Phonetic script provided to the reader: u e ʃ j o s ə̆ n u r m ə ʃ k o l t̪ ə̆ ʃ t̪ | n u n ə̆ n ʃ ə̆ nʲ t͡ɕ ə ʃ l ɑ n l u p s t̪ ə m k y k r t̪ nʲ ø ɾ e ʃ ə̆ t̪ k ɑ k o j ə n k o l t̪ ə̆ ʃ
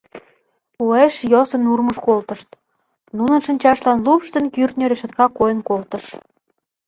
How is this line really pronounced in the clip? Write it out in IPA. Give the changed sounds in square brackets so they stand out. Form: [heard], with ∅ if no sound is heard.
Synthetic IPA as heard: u e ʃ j o s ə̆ n u r m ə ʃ k o l t̪ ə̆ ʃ t̪ | n u n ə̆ n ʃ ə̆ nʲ t͡ɕ [ɑ] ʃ l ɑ n l u p [ʃ] t̪ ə [n] k y [∅] r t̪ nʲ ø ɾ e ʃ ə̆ t̪ k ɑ k o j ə n k o l t̪ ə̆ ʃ